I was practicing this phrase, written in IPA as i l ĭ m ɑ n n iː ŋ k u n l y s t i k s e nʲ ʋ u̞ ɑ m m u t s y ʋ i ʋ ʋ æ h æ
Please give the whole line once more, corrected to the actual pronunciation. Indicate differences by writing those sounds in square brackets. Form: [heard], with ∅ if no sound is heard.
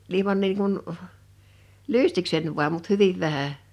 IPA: i l ĭ m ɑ n n iː ŋ k u n l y s t i k s e nʲ ʋ u̞ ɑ m m u t [h] y ʋ i ʋ ʋ æ h æ

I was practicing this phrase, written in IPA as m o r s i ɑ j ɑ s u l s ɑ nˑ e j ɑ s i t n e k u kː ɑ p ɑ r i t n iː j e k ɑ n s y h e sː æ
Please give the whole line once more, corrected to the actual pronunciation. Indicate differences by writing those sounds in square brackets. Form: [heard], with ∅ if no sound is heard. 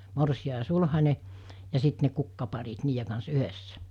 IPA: m o r s i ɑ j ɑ s u l [h] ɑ nˑ e j ɑ s i t n e k u kː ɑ p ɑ r i t n iː j e k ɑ n s y h e sː æ

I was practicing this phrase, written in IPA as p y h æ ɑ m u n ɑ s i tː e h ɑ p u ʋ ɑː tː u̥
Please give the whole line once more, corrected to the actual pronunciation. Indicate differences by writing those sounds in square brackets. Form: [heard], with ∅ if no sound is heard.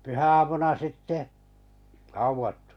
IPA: p y h æ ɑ m u n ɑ s i tː e h ɑ [∅] u ʋ [ɑ] tː u̥

